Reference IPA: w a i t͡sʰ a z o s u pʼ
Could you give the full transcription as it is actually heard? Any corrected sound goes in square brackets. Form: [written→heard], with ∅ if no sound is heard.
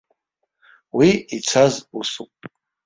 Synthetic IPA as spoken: w [a→i] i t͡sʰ a z [o→u] s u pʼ